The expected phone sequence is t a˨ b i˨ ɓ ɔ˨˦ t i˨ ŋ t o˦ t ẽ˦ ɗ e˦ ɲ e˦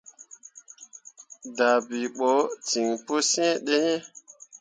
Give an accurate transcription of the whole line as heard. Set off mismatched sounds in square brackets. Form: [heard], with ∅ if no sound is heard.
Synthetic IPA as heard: [d] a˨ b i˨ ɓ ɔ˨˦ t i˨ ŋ [p] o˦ [s] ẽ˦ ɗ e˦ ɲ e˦